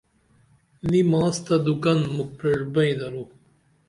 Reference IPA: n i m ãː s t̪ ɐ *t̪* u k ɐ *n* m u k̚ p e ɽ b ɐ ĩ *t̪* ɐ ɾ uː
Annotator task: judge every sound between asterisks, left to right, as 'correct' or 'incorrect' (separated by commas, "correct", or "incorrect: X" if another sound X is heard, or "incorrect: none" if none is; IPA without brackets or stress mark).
incorrect: d̪, correct, incorrect: d̪